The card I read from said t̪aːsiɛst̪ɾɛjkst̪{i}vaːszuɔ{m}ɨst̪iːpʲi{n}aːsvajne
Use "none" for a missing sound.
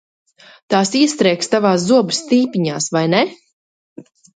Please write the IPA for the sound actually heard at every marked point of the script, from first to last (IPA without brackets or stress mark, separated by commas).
a, b, ɲ